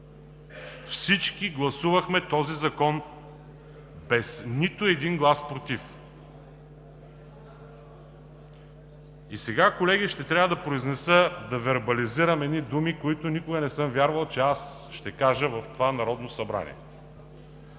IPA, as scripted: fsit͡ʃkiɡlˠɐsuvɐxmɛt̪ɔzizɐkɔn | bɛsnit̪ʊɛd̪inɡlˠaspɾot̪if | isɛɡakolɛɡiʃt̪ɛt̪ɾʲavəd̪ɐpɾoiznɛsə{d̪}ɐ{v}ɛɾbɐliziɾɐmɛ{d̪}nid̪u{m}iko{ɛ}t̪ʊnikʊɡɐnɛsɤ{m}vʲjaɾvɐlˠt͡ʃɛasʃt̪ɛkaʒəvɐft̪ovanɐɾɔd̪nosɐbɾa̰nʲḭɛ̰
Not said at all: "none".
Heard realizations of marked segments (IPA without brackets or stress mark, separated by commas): d̪, v, d̪, m, i, m